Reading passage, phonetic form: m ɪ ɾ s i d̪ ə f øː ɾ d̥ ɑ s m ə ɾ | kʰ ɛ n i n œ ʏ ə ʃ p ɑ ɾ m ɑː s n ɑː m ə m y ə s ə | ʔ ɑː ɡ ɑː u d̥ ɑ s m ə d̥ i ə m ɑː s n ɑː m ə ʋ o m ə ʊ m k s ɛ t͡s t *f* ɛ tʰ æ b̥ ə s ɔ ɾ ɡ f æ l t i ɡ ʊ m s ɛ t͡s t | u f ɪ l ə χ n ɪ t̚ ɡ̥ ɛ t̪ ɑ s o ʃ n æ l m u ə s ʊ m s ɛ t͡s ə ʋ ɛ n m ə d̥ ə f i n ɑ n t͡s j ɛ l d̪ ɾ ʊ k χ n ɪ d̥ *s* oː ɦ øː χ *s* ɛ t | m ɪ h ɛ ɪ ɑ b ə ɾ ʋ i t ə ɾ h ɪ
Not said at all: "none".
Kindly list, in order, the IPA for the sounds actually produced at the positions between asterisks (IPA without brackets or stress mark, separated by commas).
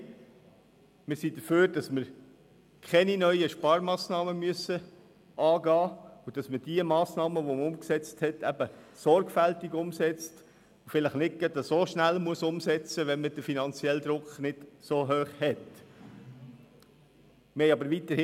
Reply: h, s, h